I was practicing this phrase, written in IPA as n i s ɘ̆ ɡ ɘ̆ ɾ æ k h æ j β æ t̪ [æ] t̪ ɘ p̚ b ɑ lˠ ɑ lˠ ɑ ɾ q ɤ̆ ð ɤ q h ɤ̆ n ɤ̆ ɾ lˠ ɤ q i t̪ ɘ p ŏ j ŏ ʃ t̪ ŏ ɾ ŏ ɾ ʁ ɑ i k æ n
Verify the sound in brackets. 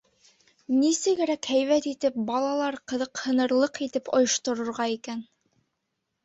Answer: incorrect: i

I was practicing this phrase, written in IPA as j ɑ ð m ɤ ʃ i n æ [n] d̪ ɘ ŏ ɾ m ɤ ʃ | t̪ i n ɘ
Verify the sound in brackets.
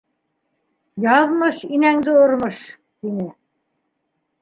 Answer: incorrect: ŋ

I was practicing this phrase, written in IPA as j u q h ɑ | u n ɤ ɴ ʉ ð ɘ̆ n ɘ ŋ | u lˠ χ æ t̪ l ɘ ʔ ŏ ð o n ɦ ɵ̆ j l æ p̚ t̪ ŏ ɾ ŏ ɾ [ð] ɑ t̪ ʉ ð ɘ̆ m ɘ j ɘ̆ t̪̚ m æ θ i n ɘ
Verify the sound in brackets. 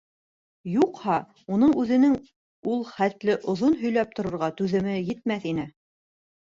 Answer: incorrect: ʁ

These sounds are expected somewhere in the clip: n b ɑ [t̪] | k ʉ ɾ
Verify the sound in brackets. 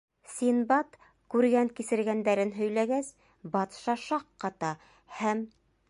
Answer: correct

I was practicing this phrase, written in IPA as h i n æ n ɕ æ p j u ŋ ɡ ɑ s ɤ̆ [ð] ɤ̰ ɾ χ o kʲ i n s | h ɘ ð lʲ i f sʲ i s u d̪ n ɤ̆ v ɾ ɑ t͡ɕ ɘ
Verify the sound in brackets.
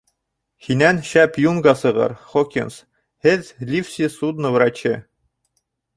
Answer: incorrect: ʁ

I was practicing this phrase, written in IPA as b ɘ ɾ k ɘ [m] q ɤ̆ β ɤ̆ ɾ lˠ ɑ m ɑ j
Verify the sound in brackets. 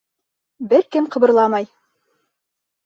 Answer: correct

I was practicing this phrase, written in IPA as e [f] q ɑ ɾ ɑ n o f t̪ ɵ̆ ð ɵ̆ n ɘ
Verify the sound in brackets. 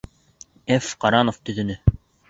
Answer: correct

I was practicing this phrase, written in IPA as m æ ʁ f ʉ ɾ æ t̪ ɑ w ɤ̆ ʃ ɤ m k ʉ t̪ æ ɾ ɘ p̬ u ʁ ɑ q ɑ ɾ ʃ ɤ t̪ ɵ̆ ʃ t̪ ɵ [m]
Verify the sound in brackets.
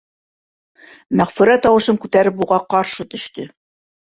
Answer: incorrect: none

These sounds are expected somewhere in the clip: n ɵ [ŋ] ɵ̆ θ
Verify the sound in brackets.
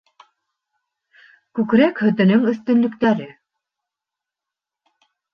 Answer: correct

